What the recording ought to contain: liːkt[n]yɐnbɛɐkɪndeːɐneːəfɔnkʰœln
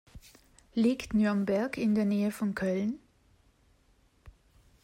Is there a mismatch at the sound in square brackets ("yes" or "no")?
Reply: no